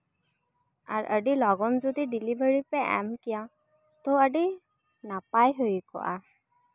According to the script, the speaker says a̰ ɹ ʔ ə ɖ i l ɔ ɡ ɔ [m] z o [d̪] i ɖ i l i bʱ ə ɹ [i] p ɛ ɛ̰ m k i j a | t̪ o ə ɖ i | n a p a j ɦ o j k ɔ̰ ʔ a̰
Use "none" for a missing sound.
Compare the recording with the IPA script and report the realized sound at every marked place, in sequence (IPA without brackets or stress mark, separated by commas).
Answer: n, d̪, i